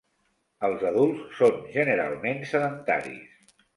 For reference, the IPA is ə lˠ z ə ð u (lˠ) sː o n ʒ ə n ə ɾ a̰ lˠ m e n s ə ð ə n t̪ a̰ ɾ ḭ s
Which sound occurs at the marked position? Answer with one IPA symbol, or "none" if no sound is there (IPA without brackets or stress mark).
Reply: lˠ